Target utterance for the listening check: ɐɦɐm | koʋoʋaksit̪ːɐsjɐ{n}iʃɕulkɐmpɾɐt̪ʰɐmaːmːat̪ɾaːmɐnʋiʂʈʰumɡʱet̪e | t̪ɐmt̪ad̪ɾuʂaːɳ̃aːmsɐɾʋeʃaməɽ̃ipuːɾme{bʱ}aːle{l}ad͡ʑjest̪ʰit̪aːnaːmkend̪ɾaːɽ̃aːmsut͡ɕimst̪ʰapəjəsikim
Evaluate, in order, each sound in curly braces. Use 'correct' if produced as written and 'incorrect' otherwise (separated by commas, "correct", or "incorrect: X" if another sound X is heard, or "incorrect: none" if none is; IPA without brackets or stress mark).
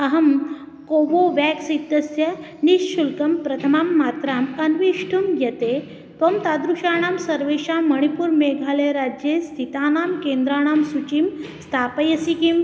correct, incorrect: ɡʱ, incorrect: ɾ